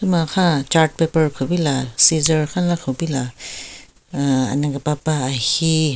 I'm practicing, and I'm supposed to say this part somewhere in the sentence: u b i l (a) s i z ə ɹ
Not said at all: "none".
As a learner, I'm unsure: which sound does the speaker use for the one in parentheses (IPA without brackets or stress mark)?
a